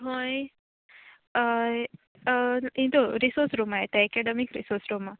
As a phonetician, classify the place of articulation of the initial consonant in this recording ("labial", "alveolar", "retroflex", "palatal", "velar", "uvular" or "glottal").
glottal